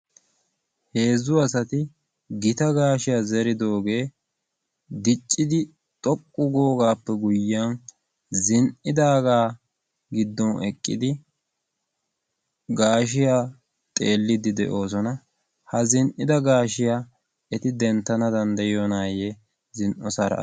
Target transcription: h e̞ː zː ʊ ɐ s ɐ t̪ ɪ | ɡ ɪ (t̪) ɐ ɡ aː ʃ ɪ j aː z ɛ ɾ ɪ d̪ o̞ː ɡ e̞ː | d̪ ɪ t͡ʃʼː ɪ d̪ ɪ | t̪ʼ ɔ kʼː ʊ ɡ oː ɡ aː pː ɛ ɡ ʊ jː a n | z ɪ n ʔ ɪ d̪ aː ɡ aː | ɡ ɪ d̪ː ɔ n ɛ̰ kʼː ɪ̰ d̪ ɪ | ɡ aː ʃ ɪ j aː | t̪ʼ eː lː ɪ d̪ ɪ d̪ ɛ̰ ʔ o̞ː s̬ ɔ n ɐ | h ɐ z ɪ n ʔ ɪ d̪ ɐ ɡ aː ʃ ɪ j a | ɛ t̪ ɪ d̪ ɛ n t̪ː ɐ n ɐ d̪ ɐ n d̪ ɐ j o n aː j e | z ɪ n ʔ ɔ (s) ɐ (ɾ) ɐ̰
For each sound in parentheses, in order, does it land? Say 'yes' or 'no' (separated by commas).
yes, yes, yes